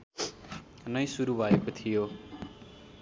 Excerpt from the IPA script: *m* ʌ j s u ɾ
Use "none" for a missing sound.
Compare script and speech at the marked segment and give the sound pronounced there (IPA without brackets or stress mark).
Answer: n